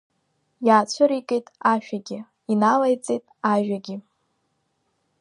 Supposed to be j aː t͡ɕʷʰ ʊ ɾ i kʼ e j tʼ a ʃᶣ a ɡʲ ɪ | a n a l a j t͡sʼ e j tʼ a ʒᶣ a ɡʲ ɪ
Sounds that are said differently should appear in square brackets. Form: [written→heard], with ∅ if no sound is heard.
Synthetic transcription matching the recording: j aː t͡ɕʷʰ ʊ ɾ i kʼ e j tʼ a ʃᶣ a ɡʲ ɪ | [a→i] n a l a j t͡sʼ e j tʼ a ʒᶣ a ɡʲ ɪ